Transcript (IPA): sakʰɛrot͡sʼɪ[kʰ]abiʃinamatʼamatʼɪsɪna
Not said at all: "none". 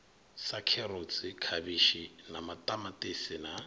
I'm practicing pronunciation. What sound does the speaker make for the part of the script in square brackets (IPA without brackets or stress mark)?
kʰ